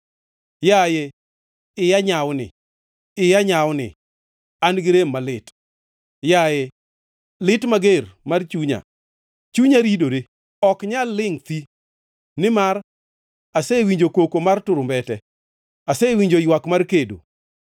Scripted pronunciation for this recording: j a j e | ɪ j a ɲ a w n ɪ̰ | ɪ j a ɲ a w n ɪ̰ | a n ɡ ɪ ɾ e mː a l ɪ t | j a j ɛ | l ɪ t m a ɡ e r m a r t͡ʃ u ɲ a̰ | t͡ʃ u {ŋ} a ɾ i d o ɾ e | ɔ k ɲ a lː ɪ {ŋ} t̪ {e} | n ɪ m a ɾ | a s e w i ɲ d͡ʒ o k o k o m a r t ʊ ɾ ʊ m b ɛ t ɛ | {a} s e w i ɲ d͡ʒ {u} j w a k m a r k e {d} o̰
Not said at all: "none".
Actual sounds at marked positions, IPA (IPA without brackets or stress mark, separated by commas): ɲ, ŋ, i, a, o, d